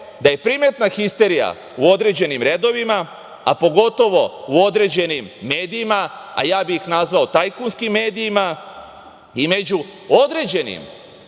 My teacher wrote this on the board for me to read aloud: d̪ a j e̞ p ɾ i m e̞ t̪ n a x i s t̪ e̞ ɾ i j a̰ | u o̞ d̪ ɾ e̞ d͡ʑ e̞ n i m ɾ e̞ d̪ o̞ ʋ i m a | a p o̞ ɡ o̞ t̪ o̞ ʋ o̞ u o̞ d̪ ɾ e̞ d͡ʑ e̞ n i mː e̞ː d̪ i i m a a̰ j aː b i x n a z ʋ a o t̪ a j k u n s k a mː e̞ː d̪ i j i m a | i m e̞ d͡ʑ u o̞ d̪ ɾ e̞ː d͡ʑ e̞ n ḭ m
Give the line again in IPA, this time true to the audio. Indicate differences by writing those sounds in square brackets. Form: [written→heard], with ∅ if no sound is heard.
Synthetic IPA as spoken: d̪ a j e̞ p ɾ i m e̞ t̪ n a x i s t̪ e̞ ɾ i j a̰ | u o̞ d̪ ɾ e̞ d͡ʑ e̞ n i m ɾ e̞ d̪ o̞ ʋ i m a | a p o̞ ɡ o̞ t̪ o̞ ʋ o̞ u o̞ d̪ ɾ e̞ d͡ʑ e̞ n i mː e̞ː d̪ i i m a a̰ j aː b i x n a z ʋ a o t̪ a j k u n s k [a→i] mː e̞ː d̪ i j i m a | i m e̞ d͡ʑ u o̞ d̪ ɾ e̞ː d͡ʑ e̞ n ḭ m

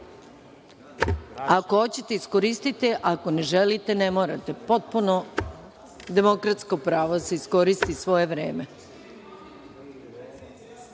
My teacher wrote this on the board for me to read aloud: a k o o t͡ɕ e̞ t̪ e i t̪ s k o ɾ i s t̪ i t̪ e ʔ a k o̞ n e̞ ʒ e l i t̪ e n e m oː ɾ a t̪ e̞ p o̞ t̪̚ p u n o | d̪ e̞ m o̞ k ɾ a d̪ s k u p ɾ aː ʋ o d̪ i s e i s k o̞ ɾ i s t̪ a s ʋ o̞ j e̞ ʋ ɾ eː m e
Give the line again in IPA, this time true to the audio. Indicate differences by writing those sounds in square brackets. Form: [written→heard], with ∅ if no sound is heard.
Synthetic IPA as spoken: a k o o t͡ɕ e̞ t̪ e i [t̪→∅] s k o ɾ i s t̪ i t̪ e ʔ a k o̞ n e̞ ʒ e l i t̪ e n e m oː ɾ a t̪ e̞ p o̞ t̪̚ p u n o | d̪ e̞ m o̞ k ɾ a [d̪→t̪] s k [u→o] p ɾ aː ʋ o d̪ [i→a] s e i s k o̞ ɾ i s t̪ [a→i] s ʋ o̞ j e̞ ʋ ɾ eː m e

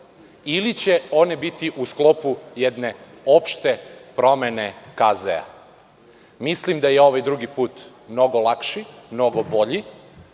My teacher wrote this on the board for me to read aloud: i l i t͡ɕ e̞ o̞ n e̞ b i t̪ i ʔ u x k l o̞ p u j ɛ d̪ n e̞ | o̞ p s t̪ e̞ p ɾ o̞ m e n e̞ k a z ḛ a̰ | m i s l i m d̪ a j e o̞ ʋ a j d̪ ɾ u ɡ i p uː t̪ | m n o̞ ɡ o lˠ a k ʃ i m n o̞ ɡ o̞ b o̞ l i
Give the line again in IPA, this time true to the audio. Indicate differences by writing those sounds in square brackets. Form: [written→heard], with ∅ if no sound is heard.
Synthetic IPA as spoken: i l i t͡ɕ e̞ o̞ n e̞ b i t̪ i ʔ u [x→s] k l o̞ p u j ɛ d̪ n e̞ | o̞ p [s→ʃ] t̪ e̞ p ɾ o̞ m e n e̞ k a z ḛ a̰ | m i s l i m d̪ a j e o̞ ʋ a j d̪ ɾ u ɡ i p uː t̪ | m n o̞ ɡ o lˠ a k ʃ i m n o̞ ɡ o̞ b o̞ [l→ʎ] i

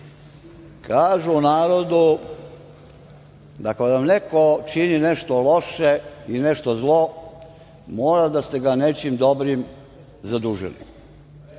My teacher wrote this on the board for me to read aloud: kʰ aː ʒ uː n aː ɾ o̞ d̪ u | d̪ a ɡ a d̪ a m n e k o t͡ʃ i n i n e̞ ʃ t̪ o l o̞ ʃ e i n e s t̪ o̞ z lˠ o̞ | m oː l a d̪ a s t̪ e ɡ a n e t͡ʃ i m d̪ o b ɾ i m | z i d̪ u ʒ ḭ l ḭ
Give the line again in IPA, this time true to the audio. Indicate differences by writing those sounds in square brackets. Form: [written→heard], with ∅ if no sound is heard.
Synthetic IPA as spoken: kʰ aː ʒ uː n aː ɾ o̞ d̪ u | d̪ a [ɡ→k] a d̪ a m n e k o t͡ʃ i n i n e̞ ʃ t̪ o l o̞ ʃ e i n e [s→ʃ] t̪ o̞ z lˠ o̞ | m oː [l→ɾ] a d̪ a s t̪ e ɡ a n e t͡ʃ i m d̪ o b ɾ i m | z [i→a] d̪ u ʒ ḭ l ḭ

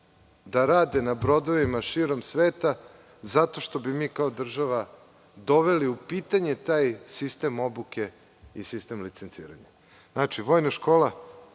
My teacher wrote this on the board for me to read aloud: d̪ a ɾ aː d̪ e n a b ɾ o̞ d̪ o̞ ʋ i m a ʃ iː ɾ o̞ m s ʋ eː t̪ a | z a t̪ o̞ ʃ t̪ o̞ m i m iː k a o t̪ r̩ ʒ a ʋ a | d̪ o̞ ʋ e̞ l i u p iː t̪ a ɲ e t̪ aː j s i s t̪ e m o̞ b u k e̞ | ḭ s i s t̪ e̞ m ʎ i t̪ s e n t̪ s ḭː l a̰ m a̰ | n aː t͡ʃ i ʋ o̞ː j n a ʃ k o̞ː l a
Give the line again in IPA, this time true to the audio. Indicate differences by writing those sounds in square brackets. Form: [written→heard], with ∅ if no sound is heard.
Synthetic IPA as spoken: d̪ a ɾ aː d̪ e n a b ɾ o̞ d̪ o̞ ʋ i m a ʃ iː ɾ o̞ m s ʋ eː t̪ a | z a t̪ o̞ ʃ t̪ o̞ [m→b] i m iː k a o [t̪→d̪] r̩ ʒ a ʋ a | d̪ o̞ ʋ e̞ l i u p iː t̪ a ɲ e t̪ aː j s i s t̪ e m o̞ b u k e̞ | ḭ s i s t̪ e̞ m [ʎ→l] i t̪ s e n t̪ s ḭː [l→ɾ] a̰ [m→ɲ] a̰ | n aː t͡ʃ i ʋ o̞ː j n a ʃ k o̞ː l a

